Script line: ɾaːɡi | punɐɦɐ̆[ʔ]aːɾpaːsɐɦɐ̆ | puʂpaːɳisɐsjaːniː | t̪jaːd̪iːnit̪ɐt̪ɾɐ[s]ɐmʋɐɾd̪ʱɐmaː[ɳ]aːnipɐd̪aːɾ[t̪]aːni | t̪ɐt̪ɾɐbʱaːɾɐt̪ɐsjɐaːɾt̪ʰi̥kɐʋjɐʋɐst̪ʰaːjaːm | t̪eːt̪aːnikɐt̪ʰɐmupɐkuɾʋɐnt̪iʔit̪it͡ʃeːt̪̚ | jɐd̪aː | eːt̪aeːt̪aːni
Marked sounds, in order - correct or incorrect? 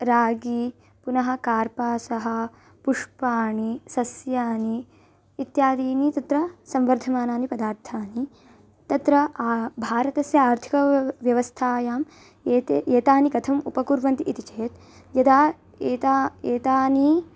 incorrect, correct, incorrect, incorrect

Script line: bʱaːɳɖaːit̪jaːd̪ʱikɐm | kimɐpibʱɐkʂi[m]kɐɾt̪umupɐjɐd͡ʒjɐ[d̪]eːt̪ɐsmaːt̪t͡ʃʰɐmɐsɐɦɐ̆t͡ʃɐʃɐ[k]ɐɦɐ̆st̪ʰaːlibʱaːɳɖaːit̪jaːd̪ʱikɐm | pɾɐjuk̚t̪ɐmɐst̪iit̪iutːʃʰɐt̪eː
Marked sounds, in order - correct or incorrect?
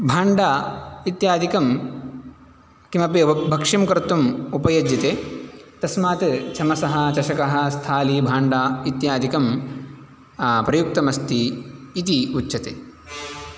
correct, incorrect, correct

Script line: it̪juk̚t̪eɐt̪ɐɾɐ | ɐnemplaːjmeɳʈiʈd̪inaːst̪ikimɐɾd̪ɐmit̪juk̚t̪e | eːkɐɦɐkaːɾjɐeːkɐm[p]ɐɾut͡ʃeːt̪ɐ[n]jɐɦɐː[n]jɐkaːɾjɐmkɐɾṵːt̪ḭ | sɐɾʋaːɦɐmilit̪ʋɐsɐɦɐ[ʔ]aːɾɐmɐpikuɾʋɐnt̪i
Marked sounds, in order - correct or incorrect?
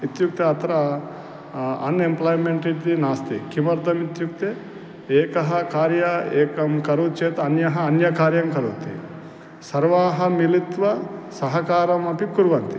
incorrect, correct, correct, incorrect

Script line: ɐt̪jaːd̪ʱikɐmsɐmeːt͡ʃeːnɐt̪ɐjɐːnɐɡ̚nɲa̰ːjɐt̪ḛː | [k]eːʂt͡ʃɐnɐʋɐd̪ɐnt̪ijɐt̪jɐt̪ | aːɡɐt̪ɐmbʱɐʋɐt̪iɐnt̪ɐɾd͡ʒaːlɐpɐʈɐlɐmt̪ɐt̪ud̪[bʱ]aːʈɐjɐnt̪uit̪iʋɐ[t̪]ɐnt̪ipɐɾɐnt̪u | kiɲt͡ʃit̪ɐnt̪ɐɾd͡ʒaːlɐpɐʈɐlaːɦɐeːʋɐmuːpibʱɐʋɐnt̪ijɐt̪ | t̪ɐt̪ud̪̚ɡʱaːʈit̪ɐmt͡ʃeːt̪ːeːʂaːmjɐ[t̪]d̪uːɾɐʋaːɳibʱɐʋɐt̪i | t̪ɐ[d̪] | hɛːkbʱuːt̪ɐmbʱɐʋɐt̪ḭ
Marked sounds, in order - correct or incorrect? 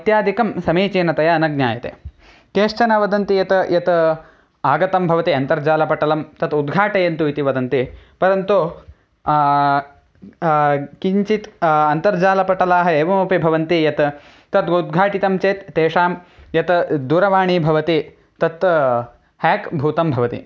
correct, incorrect, incorrect, correct, incorrect

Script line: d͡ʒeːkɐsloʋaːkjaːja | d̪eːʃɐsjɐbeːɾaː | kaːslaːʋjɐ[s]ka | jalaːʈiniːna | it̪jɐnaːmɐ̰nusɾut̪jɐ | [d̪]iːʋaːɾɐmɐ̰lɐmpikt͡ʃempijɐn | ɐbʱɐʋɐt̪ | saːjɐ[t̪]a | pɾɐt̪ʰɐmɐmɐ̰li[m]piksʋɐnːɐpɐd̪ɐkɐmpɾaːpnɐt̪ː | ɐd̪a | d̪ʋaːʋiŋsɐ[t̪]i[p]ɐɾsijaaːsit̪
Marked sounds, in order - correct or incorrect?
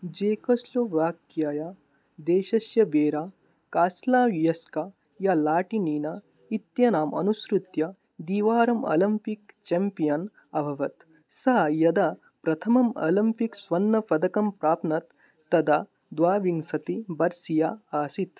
correct, correct, incorrect, correct, correct, incorrect

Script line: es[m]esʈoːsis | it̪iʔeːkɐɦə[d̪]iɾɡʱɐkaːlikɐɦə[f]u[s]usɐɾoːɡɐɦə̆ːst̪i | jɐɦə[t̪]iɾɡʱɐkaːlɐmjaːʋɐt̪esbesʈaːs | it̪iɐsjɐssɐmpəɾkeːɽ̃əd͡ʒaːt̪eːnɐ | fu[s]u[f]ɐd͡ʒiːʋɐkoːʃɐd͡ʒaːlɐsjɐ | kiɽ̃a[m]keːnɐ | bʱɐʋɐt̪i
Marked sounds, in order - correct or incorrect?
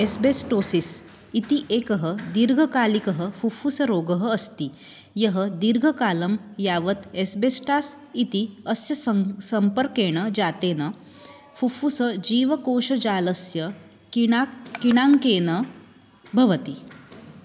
incorrect, correct, correct, incorrect, incorrect, incorrect, incorrect, incorrect

